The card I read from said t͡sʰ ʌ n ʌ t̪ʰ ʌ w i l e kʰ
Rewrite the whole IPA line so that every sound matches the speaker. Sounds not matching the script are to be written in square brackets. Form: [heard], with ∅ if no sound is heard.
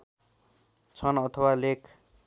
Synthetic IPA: t͡sʰ ʌ n ʌ t̪ʰ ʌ w [a] l e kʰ